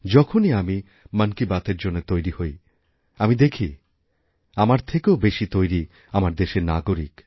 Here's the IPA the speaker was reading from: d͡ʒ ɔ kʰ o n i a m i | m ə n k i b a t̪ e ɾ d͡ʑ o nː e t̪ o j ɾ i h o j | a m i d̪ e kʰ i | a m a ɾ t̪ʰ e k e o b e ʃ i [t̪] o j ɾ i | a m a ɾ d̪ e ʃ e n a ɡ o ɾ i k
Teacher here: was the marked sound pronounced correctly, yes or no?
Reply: yes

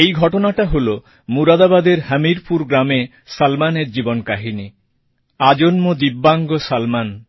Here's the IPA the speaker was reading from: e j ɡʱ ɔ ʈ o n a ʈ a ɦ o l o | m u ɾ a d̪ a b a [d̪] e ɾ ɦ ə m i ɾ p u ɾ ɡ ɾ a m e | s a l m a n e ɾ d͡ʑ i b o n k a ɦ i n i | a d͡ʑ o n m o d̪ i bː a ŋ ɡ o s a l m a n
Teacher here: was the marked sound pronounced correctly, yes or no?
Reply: yes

